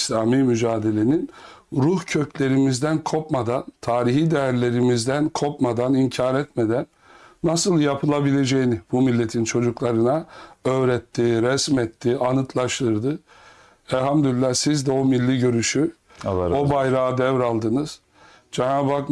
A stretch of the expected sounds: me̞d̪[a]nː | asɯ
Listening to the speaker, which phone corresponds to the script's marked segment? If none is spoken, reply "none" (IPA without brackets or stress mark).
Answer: æ